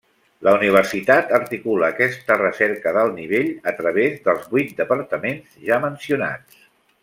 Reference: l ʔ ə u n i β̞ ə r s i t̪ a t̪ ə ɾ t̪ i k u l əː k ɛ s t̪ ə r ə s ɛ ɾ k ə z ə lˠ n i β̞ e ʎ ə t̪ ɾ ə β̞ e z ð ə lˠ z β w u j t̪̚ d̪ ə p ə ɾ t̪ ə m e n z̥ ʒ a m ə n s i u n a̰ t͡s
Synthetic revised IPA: l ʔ ə u n i β̞ ə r s i t̪ a t̪ ə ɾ t̪ i k u l əː k ɛ s t̪ ə r ə s ɛ ɾ k ə ð ə lˠ n i β̞ e ʎ ə t̪ ɾ ə β̞ e z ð ə lˠ z β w u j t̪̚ d̪ ə p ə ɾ t̪ ə m e n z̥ ʒ a m ə n s i u n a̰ t͡s